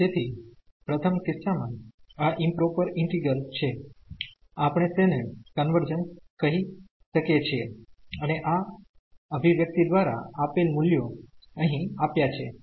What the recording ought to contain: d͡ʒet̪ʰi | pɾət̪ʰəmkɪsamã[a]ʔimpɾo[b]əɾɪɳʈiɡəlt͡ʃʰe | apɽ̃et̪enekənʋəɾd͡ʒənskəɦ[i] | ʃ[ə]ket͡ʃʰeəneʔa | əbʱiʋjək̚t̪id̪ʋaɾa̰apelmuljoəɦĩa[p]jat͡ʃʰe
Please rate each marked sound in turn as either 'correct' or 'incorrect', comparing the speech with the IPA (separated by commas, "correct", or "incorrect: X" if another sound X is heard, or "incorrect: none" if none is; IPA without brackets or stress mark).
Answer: correct, incorrect: p, correct, correct, correct